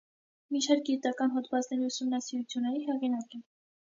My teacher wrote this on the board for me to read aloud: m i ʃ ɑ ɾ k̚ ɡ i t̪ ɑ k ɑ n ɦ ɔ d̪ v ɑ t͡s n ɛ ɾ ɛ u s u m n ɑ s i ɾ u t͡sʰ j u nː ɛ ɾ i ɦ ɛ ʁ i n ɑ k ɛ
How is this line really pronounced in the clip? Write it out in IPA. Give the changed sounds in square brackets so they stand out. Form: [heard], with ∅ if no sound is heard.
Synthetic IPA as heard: m i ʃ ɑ ɾ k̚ ɡ i t̪ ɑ k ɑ n ɦ ɔ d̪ v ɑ t͡s n ɛ ɾ [i] u s u m n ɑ s i ɾ u t͡sʰ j u nː ɛ ɾ i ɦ ɛ ʁ i n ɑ k ɛ